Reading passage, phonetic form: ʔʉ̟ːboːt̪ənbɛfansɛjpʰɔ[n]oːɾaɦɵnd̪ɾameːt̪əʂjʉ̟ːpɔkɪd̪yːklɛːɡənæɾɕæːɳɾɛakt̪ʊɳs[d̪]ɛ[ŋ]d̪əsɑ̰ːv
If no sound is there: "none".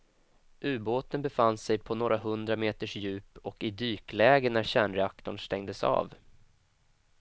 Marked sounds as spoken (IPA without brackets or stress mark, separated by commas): n, t̪, ŋ